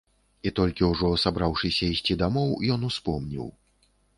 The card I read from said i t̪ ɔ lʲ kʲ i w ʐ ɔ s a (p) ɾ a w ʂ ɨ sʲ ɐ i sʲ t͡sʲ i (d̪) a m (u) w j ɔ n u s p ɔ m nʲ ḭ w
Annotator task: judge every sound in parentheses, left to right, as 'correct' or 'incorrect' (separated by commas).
incorrect, correct, incorrect